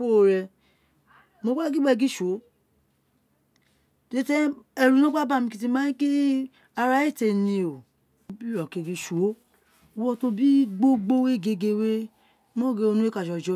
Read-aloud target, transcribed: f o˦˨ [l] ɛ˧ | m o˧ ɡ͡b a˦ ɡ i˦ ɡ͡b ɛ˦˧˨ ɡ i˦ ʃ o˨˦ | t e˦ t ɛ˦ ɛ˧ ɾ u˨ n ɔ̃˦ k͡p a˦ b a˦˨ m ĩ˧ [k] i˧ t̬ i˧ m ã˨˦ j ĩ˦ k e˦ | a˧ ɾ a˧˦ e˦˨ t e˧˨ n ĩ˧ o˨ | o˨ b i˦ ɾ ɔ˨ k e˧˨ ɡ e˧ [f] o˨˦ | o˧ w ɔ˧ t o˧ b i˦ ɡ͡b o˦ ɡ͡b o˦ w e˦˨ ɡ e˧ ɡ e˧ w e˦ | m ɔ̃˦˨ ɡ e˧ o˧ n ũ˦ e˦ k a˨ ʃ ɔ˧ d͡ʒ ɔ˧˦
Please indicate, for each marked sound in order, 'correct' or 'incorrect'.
incorrect, correct, incorrect

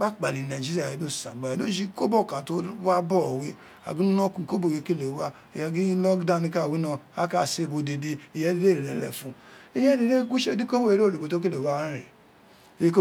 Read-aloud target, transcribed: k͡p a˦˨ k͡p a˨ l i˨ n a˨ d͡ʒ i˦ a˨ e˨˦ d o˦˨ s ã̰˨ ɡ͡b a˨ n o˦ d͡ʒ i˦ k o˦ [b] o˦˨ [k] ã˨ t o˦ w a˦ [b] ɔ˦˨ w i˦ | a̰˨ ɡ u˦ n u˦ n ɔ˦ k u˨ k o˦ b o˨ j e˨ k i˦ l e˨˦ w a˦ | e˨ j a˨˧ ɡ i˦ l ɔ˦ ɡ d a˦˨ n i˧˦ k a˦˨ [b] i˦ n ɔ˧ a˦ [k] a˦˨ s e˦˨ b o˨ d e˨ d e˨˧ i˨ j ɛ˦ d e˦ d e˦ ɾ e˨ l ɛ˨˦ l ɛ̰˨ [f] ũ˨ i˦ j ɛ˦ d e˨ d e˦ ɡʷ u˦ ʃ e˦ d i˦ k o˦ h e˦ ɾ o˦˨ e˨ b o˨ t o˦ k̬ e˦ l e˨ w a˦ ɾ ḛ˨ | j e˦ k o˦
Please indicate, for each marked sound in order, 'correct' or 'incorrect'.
correct, correct, correct, incorrect, correct, correct

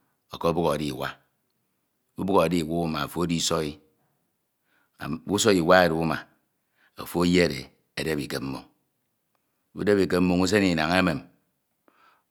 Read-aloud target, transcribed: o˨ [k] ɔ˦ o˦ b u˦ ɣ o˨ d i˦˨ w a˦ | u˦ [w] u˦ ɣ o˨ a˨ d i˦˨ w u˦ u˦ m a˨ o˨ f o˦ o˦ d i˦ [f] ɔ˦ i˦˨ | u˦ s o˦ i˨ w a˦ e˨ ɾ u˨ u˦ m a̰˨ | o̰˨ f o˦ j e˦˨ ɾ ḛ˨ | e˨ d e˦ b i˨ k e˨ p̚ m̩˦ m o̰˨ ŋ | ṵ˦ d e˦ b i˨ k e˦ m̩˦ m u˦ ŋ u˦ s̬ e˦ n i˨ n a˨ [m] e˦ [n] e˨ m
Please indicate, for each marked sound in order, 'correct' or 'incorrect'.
correct, incorrect, incorrect, incorrect, incorrect

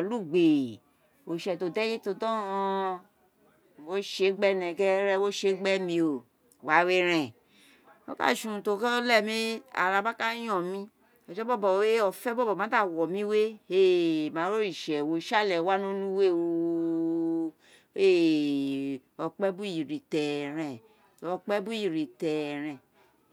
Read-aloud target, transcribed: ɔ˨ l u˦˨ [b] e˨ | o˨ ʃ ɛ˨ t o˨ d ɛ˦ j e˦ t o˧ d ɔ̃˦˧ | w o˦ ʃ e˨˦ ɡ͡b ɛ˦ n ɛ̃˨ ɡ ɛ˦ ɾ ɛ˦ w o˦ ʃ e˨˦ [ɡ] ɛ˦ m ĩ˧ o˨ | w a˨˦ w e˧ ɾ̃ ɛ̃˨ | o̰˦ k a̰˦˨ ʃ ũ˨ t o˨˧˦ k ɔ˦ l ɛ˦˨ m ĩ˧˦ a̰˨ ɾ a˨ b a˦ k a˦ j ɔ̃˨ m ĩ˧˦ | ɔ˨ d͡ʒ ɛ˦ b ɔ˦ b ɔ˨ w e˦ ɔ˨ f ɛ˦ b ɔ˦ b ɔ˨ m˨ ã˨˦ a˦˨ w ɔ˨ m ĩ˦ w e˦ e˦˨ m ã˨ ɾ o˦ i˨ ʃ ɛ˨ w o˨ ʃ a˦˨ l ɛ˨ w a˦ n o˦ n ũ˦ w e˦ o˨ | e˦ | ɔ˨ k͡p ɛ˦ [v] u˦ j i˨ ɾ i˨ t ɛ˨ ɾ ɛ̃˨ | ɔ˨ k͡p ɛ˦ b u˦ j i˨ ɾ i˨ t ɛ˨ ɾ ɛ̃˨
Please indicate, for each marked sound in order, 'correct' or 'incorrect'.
incorrect, incorrect, incorrect

